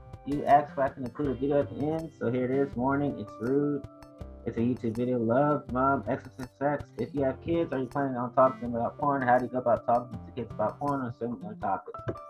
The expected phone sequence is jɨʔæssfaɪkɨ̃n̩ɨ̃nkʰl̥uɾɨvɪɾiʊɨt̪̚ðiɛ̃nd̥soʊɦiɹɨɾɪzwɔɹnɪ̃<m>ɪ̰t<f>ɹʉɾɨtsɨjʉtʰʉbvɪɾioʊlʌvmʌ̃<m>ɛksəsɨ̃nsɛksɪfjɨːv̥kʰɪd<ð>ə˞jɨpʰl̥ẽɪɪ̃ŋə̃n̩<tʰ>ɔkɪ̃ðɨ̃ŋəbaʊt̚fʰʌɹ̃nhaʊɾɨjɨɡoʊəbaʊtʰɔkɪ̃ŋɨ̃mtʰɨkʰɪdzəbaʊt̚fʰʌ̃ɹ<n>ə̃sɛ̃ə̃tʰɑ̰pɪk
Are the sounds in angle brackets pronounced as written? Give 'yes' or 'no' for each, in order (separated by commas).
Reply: no, no, yes, no, yes, yes